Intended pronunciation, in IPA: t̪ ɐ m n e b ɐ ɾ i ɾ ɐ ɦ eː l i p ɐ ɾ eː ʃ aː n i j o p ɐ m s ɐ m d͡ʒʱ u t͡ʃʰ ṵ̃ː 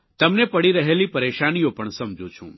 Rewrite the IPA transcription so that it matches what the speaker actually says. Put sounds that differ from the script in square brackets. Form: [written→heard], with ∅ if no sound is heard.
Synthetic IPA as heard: t̪ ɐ m n e [b→p] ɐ [ɾ→ɽ] i ɾ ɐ ɦ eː l i p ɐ ɾ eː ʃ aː n i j o p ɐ [m→ɳ] s ɐ m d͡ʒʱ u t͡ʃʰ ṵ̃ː